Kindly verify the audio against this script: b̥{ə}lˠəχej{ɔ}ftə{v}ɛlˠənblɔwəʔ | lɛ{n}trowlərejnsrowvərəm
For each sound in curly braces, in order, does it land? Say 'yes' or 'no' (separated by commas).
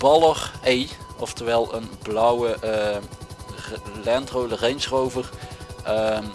no, yes, no, yes